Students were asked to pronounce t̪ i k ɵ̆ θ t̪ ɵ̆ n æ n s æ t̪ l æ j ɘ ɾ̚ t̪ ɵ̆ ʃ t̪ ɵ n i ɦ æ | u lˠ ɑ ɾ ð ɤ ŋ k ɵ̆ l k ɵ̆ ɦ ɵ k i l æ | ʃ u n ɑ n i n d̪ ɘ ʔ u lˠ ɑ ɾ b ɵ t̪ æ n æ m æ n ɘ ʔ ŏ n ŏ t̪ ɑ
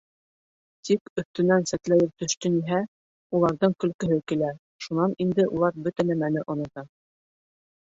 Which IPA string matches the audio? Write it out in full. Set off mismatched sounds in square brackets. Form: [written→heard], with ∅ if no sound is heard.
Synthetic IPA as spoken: t̪ i k ɵ̆ θ t̪ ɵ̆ n æ n s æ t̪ l æ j ɘ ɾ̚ t̪ ɵ̆ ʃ t̪ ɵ n i ɦ æ | u lˠ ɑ ɾ ð ɤ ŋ k ɵ̆ l k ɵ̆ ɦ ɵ k i l æ | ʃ u n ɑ n i n d̪ ɘ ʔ u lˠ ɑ ɾ b ɵ t̪ æ n æ m æ n ɘ ʔ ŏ n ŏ t̪ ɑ